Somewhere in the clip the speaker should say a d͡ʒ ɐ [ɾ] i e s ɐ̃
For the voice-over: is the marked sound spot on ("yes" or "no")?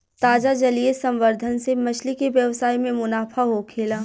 no